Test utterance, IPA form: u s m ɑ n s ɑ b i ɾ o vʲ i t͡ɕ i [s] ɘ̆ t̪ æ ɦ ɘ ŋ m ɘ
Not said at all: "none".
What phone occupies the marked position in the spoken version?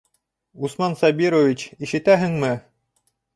ʃ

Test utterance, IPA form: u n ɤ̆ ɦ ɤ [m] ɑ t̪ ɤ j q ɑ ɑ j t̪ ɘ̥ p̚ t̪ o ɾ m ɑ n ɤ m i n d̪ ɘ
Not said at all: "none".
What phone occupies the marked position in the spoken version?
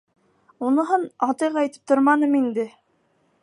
n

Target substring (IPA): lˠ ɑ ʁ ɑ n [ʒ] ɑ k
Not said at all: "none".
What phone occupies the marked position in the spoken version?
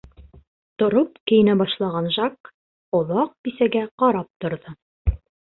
ʒ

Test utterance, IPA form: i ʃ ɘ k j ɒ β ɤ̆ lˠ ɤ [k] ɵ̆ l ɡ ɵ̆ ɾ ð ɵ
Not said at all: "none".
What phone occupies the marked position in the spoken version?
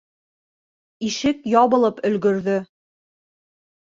p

